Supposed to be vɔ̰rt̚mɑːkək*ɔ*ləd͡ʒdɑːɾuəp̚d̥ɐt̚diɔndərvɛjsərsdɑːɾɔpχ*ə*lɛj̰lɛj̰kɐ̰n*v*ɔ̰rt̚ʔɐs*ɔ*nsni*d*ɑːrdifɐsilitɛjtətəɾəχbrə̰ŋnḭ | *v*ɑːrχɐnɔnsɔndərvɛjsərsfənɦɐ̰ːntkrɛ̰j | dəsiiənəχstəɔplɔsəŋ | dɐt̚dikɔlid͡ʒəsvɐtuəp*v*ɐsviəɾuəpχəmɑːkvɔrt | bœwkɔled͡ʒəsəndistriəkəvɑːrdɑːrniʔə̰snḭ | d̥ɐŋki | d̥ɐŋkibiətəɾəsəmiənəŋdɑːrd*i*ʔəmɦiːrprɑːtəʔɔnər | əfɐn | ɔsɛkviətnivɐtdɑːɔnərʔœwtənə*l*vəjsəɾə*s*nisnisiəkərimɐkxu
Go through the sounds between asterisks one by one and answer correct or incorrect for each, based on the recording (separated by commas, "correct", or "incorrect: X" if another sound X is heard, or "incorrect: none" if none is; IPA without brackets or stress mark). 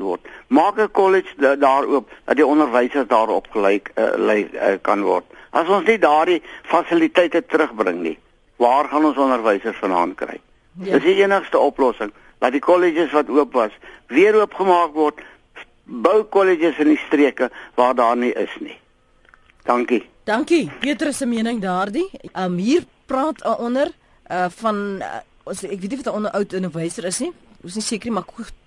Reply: correct, correct, correct, correct, correct, correct, correct, correct, incorrect: r, correct